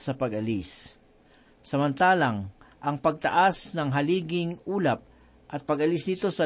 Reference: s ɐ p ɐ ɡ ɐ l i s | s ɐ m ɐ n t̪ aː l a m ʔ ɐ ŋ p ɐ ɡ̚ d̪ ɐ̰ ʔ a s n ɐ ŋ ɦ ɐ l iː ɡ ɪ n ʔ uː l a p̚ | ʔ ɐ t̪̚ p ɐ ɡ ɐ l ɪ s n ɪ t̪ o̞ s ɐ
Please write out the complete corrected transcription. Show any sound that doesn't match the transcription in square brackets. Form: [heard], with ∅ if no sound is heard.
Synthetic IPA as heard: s ɐ p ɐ ɡ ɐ l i s | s ɐ m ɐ n t̪ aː l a [ŋ] ʔ ɐ ŋ p ɐ ɡ̚ [t̪] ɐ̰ ʔ a s n ɐ ŋ ɦ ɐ l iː ɡ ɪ [ŋ] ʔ uː l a p̚ | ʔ ɐ t̪̚ p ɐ ɡ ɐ l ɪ s n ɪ t̪ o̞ s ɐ